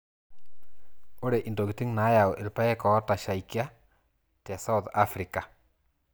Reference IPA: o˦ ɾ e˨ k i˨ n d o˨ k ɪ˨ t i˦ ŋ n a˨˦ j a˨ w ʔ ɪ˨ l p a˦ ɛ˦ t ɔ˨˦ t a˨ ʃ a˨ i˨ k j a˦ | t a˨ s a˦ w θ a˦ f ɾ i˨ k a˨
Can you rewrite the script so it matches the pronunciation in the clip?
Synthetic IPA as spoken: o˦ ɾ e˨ ʔ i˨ n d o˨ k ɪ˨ t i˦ ŋ n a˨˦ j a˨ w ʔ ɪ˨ l p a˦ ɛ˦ k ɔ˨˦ t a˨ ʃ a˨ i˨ k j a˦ | t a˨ s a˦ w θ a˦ f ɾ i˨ k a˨